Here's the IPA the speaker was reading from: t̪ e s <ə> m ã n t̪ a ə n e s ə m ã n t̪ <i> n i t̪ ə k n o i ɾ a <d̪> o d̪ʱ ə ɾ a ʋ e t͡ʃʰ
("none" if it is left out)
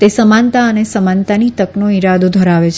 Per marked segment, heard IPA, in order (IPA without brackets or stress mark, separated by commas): ə, a, d̪